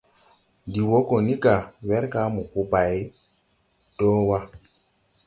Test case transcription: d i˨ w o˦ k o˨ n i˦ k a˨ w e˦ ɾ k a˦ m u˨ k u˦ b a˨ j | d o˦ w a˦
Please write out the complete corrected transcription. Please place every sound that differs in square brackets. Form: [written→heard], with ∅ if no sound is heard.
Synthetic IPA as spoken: d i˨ w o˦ k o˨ n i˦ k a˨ w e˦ ɾ k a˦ m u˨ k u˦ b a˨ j | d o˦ w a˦